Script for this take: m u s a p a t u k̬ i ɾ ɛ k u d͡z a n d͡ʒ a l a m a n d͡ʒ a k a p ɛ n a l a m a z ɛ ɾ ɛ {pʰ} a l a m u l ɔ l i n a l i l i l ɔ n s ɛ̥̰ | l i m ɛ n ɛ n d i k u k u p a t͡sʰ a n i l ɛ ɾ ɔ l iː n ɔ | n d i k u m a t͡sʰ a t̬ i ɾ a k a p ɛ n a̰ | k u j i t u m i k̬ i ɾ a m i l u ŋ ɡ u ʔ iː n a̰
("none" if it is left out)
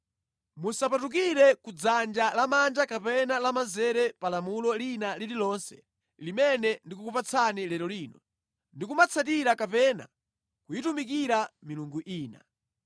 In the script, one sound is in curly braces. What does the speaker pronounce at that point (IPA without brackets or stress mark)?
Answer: p